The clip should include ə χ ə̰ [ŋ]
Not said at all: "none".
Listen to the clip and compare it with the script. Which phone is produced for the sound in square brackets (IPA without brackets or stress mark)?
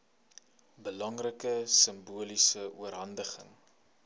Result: ŋ